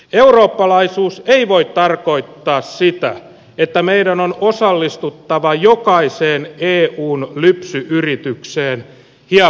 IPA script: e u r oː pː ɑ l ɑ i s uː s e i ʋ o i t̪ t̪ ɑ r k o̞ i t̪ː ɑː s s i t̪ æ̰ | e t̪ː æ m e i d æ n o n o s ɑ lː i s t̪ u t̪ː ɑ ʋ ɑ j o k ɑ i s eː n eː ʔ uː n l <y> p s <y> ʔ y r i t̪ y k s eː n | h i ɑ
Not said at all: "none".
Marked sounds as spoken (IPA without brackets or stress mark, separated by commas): y, y